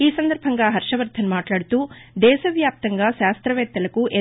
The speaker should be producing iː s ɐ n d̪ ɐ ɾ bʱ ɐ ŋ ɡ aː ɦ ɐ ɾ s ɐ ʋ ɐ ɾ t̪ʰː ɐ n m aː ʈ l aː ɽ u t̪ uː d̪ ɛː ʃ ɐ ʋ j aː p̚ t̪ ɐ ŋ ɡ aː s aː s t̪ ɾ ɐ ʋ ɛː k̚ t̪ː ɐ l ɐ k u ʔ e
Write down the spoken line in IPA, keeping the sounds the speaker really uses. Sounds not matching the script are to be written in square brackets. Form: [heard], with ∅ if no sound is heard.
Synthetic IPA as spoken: iː s ɐ n d̪ ɐ ɾ bʱ ɐ ŋ ɡ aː ɦ ɐ ɾ [ʂ] ɐ ʋ ɐ ɾ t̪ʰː ɐ n m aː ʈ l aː ɽ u t̪ uː d̪ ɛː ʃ ɐ ʋ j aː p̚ t̪ ɐ ŋ ɡ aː [ʃ] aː s t̪ ɾ ɐ ʋ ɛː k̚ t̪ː ɐ l ɐ k u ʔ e